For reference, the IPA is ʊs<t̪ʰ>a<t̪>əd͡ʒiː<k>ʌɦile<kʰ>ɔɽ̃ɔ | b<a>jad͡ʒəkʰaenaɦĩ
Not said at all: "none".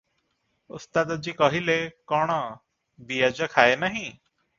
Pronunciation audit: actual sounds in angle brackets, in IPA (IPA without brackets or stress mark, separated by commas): t̪, d̪, k, k, i